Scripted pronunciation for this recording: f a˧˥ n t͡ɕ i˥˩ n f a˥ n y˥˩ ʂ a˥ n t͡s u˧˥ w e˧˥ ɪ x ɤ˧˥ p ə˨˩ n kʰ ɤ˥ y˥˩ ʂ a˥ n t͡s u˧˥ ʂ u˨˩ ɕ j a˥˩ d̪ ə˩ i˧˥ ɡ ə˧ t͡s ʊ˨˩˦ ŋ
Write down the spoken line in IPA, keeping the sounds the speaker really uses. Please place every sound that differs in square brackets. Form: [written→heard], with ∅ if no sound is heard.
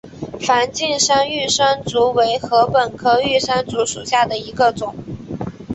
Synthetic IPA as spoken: f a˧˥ n t͡ɕ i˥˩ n [f→ʂ] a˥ n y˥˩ ʂ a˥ n t͡s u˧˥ w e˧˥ ɪ x ɤ˧˥ p ə˨˩ n kʰ ɤ˥ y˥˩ ʂ a˥ n t͡s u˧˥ ʂ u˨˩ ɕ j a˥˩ d̪ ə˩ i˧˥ ɡ ə˧ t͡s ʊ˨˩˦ ŋ